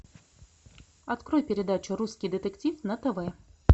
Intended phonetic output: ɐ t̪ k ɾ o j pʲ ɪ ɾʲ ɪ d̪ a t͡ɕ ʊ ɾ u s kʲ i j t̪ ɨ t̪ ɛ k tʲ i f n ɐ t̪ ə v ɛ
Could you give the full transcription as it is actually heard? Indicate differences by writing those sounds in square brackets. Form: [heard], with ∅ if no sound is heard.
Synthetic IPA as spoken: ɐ t̪ k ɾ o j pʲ ɪ ɾʲ ɪ d̪ a t͡ɕ ʊ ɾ u s kʲ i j [d̪] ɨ t̪ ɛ k tʲ i f n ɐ t̪ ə v ɛ